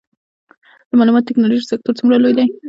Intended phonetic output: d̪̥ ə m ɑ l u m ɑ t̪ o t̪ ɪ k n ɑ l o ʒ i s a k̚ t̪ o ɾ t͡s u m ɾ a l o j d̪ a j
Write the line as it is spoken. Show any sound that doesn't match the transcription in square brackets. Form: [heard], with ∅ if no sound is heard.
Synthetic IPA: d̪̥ ə m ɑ l u m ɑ t̪ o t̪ ɪ k n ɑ l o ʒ i s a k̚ t̪ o ɾ t͡s u m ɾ a l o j d̪ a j